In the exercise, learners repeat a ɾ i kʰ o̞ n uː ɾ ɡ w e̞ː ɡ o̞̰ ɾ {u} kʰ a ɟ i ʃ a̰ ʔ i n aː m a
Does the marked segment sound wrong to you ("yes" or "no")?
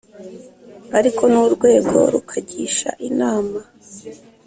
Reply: no